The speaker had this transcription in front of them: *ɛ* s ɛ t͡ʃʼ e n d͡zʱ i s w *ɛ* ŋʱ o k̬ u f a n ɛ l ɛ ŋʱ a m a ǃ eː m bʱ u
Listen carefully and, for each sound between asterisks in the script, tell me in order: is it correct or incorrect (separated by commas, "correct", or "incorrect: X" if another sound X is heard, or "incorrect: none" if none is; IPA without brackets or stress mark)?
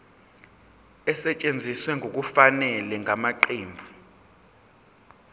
correct, correct